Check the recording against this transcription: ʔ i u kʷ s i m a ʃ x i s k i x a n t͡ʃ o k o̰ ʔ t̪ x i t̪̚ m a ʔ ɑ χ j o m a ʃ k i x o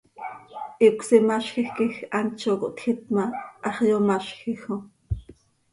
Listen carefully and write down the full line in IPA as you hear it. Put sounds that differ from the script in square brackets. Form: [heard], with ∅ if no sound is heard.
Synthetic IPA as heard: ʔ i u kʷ s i m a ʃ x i [x] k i x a n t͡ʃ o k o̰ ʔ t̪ x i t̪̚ m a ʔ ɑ χ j o m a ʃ [x] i x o